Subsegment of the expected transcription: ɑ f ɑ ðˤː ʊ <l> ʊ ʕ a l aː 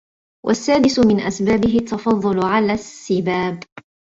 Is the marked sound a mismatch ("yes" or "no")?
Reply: no